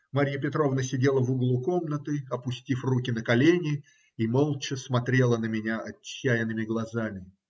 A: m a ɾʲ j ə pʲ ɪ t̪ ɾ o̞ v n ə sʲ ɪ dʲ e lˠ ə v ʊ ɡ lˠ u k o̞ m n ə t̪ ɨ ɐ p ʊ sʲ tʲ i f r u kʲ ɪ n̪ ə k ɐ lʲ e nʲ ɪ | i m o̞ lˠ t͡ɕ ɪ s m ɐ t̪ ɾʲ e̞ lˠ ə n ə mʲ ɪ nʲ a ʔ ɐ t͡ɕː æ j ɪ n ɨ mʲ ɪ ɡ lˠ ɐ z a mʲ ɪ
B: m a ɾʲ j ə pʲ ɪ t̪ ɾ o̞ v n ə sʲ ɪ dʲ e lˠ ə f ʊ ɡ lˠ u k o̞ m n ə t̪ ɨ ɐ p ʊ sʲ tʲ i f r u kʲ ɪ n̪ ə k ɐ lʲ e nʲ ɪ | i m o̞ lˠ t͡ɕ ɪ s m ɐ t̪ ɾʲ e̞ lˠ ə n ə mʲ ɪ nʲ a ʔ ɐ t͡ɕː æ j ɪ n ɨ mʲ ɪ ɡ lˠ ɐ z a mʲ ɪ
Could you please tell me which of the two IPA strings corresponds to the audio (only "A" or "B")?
A